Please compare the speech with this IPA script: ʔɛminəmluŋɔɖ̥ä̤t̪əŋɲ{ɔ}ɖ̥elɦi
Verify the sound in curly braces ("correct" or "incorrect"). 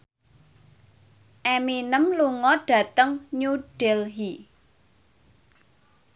incorrect